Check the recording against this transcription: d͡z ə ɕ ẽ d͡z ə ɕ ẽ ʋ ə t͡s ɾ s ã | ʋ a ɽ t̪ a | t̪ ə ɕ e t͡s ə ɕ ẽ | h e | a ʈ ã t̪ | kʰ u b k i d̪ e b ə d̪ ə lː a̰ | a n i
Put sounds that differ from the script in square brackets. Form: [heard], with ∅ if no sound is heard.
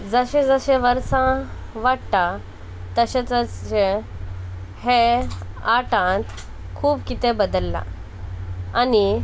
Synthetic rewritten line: d͡z ə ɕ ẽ d͡z ə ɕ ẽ ʋ ə [∅] ɾ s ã | ʋ a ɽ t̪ a | t̪ ə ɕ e t͡s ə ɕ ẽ | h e | a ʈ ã t̪ | kʰ [uː] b k i [t̪] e b ə d̪ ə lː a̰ | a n i